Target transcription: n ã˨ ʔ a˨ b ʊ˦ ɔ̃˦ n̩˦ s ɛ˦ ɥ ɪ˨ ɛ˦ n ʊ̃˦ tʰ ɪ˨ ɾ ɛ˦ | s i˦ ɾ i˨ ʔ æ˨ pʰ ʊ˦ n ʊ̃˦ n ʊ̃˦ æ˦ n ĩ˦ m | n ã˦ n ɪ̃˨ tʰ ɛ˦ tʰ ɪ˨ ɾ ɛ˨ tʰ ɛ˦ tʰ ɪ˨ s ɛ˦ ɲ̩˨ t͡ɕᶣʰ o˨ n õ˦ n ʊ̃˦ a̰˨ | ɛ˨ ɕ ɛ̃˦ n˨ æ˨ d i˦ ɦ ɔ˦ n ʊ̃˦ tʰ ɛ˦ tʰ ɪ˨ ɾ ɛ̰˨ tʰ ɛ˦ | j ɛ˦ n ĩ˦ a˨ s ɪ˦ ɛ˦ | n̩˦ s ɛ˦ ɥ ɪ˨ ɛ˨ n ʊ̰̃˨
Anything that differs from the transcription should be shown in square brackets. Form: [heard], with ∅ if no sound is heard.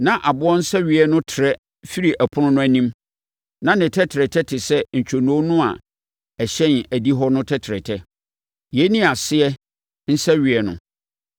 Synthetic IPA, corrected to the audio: n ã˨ ʔ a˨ b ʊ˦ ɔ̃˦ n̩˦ s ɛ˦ ɥ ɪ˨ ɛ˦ n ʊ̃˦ tʰ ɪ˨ ɾ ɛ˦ | [f] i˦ ɾ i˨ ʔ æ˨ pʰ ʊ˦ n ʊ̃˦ n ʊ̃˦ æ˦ n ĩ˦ m | n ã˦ n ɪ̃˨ tʰ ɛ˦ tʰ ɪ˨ ɾ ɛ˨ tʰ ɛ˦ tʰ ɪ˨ s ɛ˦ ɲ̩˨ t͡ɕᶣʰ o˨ n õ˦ n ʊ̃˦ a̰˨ | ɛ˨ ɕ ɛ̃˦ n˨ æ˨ d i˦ ɦ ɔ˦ n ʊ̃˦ tʰ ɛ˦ tʰ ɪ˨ ɾ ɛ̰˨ tʰ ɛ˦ | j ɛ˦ n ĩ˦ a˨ s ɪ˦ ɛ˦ | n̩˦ s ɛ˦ ɥ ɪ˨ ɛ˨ n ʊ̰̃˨